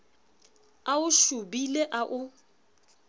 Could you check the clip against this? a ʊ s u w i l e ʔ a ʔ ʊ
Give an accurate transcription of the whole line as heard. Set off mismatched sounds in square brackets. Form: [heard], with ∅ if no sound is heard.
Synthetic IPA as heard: a ʊ [ʃ] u [b] i l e ʔ a ʔ ʊ